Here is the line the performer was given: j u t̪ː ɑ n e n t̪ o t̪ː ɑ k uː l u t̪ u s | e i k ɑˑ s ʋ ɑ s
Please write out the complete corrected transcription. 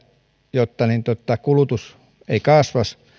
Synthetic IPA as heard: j o t̪ː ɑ n i n t̪ o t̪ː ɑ k u l u t̪ u s | e i k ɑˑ s ʋ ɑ s